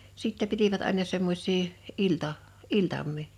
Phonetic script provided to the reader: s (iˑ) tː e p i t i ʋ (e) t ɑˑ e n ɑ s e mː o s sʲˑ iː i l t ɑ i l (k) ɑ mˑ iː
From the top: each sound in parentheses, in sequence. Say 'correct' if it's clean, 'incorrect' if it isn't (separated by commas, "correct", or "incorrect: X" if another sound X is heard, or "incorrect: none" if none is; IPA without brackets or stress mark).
correct, incorrect: æ, incorrect: t